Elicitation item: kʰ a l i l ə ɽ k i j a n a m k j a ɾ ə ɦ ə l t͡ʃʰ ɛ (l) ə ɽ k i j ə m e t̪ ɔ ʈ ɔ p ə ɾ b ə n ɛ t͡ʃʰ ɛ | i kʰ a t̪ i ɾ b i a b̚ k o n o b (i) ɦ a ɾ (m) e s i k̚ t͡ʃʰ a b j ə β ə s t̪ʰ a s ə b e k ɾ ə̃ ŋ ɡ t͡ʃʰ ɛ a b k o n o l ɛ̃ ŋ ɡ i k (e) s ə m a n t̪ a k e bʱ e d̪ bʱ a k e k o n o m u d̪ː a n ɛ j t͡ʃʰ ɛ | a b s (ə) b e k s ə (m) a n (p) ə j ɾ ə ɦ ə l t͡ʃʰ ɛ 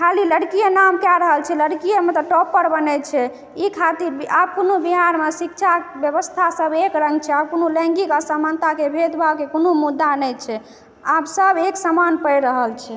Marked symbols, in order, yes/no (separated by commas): yes, yes, yes, no, yes, yes, yes